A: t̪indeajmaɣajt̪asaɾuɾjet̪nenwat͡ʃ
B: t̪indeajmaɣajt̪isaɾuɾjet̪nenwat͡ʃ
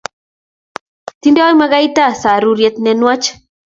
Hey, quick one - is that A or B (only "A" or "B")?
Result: A